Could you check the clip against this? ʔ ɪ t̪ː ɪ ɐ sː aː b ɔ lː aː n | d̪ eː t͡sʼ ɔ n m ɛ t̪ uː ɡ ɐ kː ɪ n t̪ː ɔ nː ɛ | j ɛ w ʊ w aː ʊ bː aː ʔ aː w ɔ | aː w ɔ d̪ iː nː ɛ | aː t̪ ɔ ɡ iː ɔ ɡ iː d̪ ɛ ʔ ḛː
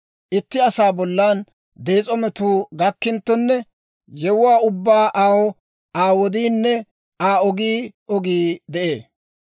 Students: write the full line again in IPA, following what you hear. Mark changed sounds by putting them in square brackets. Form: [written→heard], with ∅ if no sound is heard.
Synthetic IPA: ʔ ɪ t̪ː ɪ ɐ [sː→s] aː b ɔ lː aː n | d̪ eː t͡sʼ ɔ [n→∅] m ɛ t̪ uː ɡ ɐ kː ɪ n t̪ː ɔ nː ɛ | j ɛ w ʊ w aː ʊ bː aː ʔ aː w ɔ | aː w ɔ d̪ iː nː ɛ | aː [t̪→∅] ɔ ɡ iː ɔ ɡ iː d̪ ɛ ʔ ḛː